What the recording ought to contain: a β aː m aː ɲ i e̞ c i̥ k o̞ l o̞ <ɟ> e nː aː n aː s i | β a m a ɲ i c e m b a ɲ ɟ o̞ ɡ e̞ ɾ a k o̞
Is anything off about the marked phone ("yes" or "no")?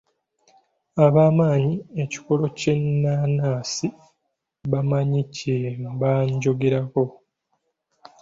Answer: yes